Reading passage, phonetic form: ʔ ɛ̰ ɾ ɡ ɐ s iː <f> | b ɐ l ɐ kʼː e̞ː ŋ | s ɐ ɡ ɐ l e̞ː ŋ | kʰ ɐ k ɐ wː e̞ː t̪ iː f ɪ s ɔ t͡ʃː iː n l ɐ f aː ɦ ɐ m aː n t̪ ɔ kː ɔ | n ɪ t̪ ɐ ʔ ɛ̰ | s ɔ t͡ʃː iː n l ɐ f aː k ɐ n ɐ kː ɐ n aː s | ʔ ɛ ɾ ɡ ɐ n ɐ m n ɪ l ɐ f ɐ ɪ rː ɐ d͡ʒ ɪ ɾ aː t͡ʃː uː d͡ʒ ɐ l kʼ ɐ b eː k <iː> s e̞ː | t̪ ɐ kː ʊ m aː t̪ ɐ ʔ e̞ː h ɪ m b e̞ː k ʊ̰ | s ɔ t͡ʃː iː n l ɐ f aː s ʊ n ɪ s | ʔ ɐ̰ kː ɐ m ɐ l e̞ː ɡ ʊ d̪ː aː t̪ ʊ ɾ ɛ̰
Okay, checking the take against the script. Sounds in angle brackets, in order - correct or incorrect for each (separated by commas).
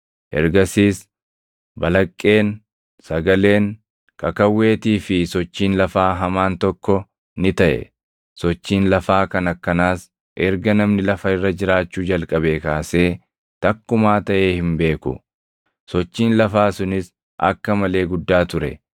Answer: incorrect, incorrect